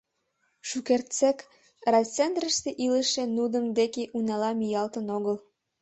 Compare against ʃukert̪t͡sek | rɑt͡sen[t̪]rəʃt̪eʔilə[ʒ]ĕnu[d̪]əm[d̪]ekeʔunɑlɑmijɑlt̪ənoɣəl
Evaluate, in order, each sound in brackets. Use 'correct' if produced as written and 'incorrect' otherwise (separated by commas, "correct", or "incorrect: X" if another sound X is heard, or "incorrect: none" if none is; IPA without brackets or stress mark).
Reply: incorrect: d̪, incorrect: ʃ, correct, correct